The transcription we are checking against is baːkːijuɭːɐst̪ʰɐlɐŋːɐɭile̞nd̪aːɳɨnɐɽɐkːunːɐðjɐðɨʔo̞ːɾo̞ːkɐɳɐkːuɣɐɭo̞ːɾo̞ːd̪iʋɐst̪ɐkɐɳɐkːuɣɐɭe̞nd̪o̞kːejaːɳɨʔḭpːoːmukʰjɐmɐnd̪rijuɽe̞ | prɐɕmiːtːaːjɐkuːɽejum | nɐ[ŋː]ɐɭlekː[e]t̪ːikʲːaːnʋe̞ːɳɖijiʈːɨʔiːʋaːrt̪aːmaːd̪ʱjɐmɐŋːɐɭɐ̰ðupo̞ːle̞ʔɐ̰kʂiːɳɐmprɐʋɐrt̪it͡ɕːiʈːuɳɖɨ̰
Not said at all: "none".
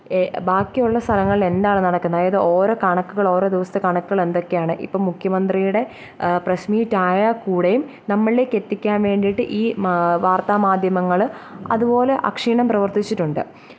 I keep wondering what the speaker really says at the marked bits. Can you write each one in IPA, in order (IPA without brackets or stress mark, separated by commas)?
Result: mː, e